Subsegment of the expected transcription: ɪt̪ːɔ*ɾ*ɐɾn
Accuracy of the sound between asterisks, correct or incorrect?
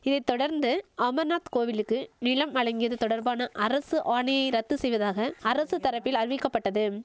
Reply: incorrect